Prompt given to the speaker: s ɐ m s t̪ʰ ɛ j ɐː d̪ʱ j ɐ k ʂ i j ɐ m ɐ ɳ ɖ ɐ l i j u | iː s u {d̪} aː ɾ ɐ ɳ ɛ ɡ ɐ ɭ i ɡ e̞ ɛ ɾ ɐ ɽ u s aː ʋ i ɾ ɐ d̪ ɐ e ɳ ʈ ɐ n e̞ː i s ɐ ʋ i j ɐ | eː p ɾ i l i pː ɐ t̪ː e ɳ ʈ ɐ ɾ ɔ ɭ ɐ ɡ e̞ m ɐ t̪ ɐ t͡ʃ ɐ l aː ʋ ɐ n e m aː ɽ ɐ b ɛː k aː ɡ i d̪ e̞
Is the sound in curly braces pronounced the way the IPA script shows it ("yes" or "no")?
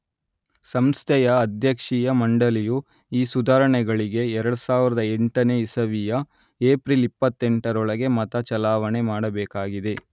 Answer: yes